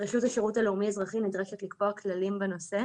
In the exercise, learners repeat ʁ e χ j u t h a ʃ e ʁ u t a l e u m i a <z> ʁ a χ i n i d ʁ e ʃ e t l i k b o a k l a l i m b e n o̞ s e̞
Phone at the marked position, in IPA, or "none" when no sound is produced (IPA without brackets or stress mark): z